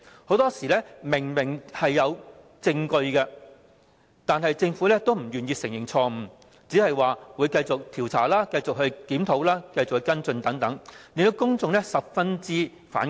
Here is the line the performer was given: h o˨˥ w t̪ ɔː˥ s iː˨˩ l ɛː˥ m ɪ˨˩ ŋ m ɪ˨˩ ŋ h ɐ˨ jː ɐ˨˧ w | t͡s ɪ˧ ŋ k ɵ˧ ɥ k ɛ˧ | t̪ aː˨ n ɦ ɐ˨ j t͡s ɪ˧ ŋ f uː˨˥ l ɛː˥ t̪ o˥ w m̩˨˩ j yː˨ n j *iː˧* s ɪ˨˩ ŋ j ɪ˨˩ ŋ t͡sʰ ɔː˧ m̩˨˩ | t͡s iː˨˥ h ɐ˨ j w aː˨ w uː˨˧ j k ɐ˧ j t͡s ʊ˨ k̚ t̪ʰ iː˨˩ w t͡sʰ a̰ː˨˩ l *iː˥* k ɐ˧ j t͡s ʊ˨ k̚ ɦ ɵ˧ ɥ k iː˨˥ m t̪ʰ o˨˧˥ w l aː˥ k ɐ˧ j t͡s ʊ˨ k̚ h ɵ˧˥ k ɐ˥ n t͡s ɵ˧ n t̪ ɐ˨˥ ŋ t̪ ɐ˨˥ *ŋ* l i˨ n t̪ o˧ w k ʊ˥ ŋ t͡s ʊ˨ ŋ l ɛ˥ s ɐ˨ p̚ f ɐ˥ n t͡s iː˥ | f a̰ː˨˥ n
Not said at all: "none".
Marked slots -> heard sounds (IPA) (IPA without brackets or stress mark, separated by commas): iː˧, aː˥, ŋ